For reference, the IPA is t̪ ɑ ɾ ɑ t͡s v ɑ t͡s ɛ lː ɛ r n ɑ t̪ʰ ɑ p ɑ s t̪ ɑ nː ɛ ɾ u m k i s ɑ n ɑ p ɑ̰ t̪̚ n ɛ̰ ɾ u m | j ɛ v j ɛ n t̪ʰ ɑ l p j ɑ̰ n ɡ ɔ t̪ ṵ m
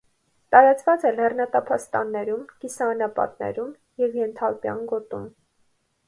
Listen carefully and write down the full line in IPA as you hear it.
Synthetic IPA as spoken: t̪ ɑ ɾ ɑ t͡s v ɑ t͡s ɛ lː ɛ r n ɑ t̪ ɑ pʰ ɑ s t̪ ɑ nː ɛ ɾ u m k i s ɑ n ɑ p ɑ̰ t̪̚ n ɛ̰ ɾ u m | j ɛ v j ɛ n t̪ʰ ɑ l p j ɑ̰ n ɡ ɔ t̪ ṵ m